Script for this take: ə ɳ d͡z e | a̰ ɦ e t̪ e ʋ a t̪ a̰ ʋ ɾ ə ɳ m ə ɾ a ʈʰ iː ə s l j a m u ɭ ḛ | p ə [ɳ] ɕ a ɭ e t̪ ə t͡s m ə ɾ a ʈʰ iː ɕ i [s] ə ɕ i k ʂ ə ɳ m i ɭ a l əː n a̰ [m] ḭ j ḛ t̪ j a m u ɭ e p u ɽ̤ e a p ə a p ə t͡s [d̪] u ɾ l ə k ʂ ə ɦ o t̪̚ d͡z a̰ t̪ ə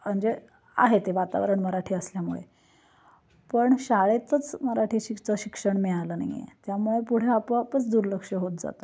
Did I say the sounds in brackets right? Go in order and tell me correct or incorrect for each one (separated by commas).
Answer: correct, incorrect, incorrect, correct